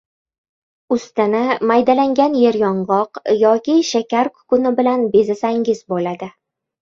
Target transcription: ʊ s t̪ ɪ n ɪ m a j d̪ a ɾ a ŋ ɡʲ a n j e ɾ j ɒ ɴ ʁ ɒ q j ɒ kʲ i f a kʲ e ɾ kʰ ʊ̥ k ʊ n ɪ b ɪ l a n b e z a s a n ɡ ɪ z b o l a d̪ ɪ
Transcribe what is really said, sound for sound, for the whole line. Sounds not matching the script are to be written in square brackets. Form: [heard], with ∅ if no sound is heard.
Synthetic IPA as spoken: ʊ s t̪ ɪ n ɪ m a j d̪ a [l] a ŋ ɡʲ a n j e ɾ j ɒ ɴ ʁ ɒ q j ɒ kʲ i [ʃ] a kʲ [a] ɾ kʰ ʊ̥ k ʊ n ɪ b ɪ l a n b e z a s a [ŋ] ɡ ɪ z b o l a d̪ ɪ